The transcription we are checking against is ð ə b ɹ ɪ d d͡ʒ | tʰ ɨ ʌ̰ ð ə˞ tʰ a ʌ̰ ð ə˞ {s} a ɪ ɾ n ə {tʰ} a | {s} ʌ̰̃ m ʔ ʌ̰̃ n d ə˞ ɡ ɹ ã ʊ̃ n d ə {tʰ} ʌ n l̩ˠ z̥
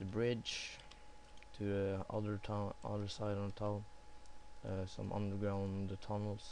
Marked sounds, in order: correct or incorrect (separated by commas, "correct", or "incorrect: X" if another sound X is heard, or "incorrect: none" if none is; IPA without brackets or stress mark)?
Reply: correct, correct, correct, correct